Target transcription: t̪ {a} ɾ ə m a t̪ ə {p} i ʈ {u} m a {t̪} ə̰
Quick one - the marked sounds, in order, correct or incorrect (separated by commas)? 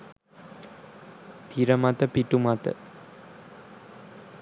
incorrect, correct, correct, correct